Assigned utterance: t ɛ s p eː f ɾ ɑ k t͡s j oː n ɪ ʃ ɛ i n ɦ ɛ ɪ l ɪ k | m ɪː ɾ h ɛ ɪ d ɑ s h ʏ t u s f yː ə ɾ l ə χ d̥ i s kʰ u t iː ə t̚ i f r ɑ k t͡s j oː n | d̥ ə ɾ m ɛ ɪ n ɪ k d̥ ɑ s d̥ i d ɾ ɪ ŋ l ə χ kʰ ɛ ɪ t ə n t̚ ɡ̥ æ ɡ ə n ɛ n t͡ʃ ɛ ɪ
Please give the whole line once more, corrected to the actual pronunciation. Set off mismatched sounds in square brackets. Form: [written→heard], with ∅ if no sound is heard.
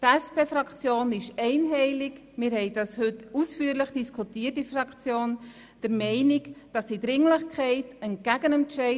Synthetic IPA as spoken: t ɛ s p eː f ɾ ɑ k t͡s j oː n ɪ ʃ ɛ [i→ɪ] n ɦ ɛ ɪ l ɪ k | m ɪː ɾ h ɛ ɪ d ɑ s h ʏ t u s f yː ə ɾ l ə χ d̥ i s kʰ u t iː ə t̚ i f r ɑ k t͡s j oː n | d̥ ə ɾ m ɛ ɪ n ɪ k d̥ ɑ s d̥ i d ɾ ɪ ŋ l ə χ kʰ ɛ ɪ t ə n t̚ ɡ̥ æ ɡ ə n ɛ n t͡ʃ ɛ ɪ